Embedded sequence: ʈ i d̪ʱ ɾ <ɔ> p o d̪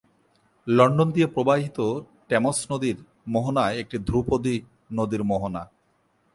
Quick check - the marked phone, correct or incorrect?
incorrect